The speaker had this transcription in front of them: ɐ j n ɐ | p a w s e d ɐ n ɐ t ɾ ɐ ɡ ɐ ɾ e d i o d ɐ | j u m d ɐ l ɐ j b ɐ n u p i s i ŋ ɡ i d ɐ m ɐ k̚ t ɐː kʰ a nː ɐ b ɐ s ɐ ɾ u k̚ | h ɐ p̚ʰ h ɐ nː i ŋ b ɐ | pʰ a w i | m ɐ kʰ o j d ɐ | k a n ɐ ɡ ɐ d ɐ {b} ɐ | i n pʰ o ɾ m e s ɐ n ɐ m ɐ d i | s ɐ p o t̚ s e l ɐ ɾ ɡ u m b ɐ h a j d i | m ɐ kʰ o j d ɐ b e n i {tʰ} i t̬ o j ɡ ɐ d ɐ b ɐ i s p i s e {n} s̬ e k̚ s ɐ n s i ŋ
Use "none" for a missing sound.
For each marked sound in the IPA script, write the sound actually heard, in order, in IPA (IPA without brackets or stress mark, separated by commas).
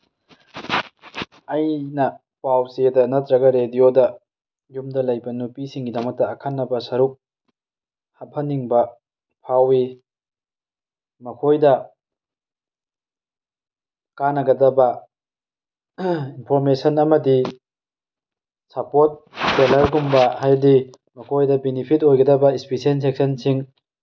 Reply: b, pʰ, n